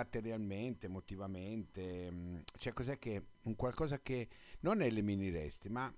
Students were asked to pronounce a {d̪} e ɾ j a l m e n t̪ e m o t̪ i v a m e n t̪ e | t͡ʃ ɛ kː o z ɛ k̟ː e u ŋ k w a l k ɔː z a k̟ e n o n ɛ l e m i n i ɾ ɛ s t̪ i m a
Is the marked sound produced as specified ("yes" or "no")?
no